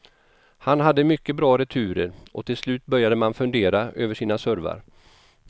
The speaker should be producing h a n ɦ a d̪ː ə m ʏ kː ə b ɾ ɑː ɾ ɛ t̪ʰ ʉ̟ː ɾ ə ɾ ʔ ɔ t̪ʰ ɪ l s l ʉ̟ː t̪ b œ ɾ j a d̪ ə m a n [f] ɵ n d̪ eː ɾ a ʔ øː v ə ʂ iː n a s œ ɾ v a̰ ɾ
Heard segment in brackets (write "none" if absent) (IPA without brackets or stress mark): f